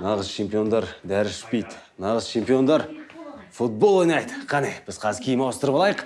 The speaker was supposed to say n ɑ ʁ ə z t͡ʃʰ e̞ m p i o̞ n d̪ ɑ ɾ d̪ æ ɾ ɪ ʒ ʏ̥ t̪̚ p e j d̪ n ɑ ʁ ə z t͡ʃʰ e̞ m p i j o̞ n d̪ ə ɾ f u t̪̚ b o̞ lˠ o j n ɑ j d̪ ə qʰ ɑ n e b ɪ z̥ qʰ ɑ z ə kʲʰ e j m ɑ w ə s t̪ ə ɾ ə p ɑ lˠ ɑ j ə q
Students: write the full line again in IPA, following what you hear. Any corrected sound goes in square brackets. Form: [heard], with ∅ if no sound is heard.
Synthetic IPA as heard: n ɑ ʁ ə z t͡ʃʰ e̞ m p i o̞ n d̪ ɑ ɾ d̪ æ ɾ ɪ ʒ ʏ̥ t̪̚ p e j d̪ n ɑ ʁ ə z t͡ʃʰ e̞ m p i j o̞ n d̪ [ɑ] ɾ f u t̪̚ b o̞ lˠ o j n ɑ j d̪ ə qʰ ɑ n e b ɪ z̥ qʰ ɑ z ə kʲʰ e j m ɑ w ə s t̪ ə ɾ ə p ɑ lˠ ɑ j ə q